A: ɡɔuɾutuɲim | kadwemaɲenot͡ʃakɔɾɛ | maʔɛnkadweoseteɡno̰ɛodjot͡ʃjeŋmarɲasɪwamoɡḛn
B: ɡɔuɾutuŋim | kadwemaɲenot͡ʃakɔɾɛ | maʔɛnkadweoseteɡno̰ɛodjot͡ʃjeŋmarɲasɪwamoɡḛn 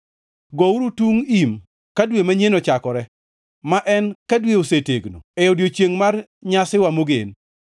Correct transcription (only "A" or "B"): B